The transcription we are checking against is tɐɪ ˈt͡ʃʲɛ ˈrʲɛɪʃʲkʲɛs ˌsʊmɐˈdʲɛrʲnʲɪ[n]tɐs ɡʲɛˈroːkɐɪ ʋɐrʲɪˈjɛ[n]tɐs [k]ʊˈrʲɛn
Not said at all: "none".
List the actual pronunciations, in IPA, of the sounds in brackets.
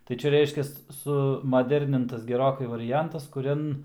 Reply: n, n, k

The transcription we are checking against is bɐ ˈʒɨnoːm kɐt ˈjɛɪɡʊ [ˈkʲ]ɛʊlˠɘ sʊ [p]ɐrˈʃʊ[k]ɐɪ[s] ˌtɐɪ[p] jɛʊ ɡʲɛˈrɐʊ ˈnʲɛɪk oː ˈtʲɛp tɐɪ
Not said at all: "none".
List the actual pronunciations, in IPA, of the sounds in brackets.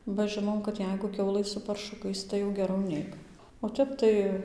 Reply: kʲ, p, k, s, none

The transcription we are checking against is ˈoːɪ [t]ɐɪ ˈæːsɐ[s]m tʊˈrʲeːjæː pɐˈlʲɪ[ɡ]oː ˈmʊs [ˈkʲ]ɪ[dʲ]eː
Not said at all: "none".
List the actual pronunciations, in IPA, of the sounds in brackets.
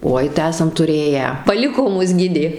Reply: t, none, k, ɡʲ, dʲ

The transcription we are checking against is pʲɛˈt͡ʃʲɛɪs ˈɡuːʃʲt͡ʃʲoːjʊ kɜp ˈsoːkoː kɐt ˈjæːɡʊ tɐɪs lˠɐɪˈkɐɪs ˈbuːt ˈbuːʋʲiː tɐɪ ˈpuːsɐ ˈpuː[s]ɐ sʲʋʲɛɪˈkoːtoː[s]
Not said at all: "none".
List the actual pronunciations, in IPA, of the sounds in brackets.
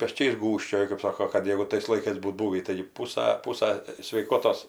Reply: s, s

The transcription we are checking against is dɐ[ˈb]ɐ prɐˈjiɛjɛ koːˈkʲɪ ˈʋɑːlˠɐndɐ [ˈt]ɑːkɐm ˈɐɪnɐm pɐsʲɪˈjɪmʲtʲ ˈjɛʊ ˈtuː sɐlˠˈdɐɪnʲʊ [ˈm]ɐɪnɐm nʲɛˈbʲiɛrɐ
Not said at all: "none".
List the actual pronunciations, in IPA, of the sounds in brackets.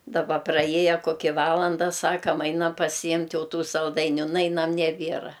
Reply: b, s, n

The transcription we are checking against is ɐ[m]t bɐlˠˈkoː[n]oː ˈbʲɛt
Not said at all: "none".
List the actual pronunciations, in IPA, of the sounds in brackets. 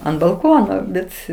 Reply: n, n

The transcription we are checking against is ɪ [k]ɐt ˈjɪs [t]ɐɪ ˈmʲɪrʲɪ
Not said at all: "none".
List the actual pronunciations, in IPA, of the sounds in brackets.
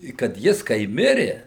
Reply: k, k

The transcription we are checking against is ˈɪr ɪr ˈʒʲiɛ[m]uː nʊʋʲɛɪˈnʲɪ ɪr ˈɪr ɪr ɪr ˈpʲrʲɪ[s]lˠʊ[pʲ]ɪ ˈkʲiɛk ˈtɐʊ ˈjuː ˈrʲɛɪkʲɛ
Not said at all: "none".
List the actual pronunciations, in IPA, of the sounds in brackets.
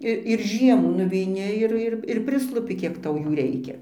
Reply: m, s, pʲ

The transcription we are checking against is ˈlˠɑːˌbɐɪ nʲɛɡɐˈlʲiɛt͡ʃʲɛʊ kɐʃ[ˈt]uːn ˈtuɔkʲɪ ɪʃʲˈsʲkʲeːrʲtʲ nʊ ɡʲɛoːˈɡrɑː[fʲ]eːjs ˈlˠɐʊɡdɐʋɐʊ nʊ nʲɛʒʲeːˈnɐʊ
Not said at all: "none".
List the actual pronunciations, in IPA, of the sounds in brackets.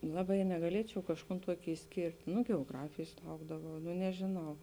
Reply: k, fʲ

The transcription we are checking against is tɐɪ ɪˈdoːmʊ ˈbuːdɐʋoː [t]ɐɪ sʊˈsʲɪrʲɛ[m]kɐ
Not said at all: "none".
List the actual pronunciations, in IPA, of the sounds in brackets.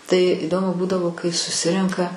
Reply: k, ŋ

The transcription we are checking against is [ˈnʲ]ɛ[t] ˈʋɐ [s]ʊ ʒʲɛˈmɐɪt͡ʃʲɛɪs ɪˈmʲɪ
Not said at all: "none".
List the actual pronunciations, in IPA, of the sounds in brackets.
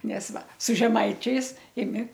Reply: nʲ, s, s

